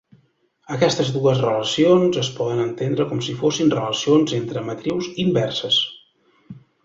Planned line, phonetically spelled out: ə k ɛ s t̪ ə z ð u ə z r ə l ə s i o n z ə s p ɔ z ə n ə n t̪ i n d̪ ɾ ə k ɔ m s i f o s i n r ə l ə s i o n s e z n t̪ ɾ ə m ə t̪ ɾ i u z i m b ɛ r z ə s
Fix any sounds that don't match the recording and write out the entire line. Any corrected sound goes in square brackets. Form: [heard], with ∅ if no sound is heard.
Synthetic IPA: ə k ɛ s t̪ ə z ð u ə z r ə l ə s i o n z ə s p ɔ [ð] ə n ə n t̪ [e] n d̪ ɾ ə k ɔ m s i f o s i n r ə l ə s i o n [z] e [∅] n t̪ ɾ ə m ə t̪ ɾ i [w] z i m b ɛ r [s] ə s